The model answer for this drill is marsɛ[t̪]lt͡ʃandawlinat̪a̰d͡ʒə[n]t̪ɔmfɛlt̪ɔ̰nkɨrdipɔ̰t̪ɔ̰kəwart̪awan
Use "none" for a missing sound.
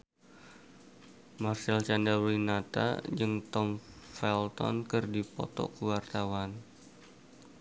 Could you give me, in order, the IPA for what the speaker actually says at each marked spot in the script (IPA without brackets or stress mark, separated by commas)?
none, ŋ